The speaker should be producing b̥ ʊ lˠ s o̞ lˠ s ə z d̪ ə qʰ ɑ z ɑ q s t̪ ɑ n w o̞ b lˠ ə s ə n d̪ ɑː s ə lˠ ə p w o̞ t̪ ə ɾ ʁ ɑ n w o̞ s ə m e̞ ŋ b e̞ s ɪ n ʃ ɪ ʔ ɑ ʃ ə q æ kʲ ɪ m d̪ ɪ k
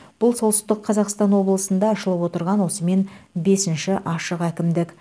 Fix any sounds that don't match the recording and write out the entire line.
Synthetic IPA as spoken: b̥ ʊ lˠ s o̞ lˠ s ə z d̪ ə qʰ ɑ z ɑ q s t̪ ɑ n w o̞ b lˠ ə s ə n d̪ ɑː ʃ ə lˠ ə p w o̞ t̪ ə ɾ ʁ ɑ n w o̞ s ə m e̞ n b e̞ s ɪ n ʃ ɪ ʔ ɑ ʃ ə q æ kʲ ɪ m d̪ ɪ k